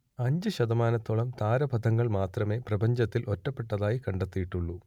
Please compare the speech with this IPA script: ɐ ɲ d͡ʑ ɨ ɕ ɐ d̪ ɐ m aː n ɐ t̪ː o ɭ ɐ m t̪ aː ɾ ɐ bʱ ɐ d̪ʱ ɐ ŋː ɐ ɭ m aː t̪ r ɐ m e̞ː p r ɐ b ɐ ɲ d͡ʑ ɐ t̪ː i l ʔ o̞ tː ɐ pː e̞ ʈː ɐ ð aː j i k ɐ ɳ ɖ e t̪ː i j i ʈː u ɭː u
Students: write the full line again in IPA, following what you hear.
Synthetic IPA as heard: ɐ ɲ d͡ʑ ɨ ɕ ɐ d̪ ɐ m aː n ɐ t̪ː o ɭ ɐ m t̪ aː ɾ ɐ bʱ ɐ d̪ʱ ɐ ŋː ɐ ɭ m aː t̪ r ɐ m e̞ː p r ɐ b ɐ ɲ d͡ʑ ɐ t̪ː i l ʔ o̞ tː ɐ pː e̞ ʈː ɐ ð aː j i k ɐ ɳ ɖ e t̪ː i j i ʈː u ɭː u